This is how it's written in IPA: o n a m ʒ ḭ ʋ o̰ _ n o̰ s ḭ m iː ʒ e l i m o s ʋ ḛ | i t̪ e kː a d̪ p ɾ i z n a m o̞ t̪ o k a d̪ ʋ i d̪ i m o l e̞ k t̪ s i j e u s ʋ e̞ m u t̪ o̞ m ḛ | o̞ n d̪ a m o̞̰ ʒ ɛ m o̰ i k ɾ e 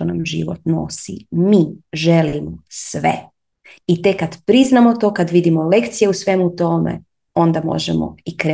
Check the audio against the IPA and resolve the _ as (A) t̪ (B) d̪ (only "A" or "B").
A